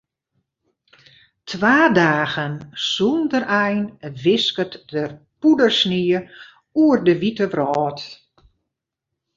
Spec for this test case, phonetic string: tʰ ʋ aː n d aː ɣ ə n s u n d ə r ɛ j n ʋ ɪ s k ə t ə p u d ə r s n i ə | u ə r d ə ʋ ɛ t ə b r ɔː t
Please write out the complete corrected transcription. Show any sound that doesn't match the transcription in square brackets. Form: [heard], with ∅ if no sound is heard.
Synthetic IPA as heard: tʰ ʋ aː [∅] d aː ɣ ə n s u n d ə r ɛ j n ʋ ɪ s k ə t ə p u d ə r s n i ə | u ə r d ə ʋ [i] t ə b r ɔː t